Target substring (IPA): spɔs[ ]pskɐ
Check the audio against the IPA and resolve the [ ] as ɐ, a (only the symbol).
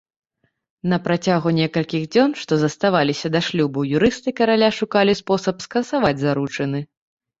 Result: ɐ